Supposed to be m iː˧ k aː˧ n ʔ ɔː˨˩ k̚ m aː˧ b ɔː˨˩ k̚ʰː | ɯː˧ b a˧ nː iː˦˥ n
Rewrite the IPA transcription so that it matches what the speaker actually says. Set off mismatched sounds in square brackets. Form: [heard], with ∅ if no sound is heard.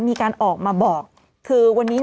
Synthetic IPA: m iː˧ k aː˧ n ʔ ɔː˨˩ k̚ m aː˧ b ɔː˨˩ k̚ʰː | ɯː˧ [w] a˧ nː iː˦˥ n